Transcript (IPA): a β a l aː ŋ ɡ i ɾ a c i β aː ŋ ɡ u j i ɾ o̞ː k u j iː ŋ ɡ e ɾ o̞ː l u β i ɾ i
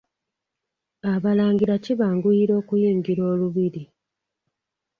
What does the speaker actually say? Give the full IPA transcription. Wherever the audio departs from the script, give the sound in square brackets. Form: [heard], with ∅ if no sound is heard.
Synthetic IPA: a β a l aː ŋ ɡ i ɾ a c i β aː ŋ ɡ u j i ɾ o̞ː k u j iː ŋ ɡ [i] ɾ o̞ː l u β i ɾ i